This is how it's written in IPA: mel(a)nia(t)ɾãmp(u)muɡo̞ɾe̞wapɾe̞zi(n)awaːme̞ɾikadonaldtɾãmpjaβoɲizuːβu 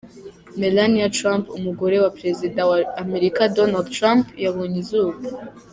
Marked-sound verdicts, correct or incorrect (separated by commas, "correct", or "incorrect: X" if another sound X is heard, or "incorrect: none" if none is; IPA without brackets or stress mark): correct, correct, correct, incorrect: d